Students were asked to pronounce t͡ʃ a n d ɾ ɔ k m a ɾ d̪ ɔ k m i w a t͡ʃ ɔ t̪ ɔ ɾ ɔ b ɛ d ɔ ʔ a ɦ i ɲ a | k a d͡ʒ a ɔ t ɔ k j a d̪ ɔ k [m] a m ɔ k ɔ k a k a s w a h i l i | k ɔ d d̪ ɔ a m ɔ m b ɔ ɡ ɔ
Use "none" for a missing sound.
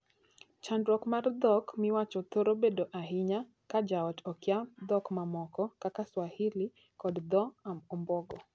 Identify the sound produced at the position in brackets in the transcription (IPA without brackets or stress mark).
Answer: m